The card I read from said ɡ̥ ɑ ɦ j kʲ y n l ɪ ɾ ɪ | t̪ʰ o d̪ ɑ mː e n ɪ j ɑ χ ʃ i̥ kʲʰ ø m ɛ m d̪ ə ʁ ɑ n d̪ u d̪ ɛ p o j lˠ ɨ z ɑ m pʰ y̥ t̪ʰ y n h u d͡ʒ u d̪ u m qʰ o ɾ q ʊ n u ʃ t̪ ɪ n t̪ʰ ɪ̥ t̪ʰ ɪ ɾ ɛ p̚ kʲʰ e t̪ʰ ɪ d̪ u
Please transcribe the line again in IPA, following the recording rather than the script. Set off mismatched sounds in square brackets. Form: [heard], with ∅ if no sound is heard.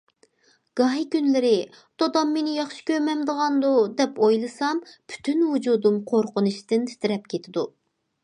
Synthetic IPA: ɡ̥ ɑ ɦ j kʲ y n l ɪ ɾ ɪ | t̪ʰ o d̪ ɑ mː e n ɪ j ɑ χ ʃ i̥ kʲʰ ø m ɛ m d̪ ə ʁ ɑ n d̪ u d̪ ɛ p o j lˠ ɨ [s] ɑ m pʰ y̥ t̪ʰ y n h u d͡ʒ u d̪ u m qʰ o ɾ q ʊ n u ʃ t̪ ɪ n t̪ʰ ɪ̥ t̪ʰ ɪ ɾ ɛ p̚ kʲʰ e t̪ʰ ɪ d̪ u

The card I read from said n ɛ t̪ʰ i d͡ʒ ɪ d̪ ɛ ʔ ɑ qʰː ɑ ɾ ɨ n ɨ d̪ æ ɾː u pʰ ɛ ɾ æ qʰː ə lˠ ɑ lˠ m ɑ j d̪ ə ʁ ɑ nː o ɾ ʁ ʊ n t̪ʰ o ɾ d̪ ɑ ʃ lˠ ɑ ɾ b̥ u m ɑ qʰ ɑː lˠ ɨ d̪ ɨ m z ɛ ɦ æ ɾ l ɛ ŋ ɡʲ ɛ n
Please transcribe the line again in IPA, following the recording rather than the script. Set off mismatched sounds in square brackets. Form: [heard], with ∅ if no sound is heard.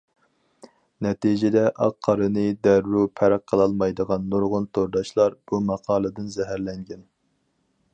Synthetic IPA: n ɛ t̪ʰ i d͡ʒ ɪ d̪ ɛ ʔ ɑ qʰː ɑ ɾ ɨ n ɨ d̪ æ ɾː u pʰ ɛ ɾ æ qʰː ə lˠ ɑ lˠ m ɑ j d̪ ə ʁ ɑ nː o ɾ ʁ ʊ n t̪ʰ o ɾ d̪ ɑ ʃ lˠ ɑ ɾ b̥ u m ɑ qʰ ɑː lˠ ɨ d̪ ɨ [n] z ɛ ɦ æ ɾ l ɛ ŋ ɡʲ ɛ n

